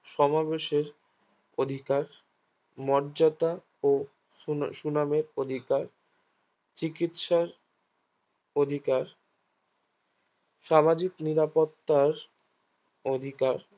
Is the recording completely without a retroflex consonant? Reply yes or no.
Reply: yes